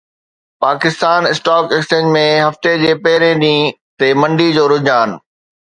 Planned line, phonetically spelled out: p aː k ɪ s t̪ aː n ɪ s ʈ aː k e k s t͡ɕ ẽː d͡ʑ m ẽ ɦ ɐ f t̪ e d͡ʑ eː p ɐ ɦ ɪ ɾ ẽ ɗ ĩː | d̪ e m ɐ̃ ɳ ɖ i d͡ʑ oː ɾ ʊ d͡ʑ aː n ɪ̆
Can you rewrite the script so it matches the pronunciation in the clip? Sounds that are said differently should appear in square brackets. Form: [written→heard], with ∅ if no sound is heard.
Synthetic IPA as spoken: p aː k ɪ s t̪ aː n ɪ s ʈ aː k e k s t͡ɕ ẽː d͡ʑ m ẽ ɦ ɐ f t̪ e d͡ʑ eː p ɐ ɦ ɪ ɾ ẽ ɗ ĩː | [d̪→t̪] e m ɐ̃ ɳ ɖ i d͡ʑ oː ɾ ʊ d͡ʑ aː n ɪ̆